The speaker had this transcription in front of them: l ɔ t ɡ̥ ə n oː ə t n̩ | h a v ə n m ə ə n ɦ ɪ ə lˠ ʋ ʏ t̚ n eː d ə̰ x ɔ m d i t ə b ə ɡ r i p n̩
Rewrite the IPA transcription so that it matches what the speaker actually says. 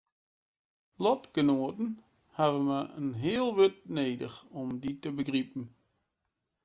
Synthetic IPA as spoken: l ɔ t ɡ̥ ə n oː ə t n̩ | h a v ə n m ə ə n ɦ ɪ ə lˠ ʋ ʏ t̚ n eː d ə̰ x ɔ m d i t ə b ə ɡ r i p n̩